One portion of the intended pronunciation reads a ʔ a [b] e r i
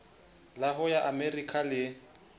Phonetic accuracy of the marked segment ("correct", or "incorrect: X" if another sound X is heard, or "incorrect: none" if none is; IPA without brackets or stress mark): incorrect: m